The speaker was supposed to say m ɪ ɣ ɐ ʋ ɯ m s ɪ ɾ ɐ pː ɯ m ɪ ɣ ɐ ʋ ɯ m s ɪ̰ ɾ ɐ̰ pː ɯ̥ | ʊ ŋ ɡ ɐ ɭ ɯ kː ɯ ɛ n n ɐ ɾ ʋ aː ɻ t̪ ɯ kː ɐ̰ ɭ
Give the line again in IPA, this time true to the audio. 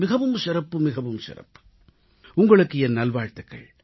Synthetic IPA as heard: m ɪ ɣ ɐ ʋ ɯ m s ɪ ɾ ɐ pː ɯ m ɪ ɣ ɐ ʋ ɯ m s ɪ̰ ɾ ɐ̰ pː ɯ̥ | ʊ ŋ ɡ ɐ ɭ ɯ kː ɯ ɛ n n ɐ l ʋ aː ɻ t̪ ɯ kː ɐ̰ ɭ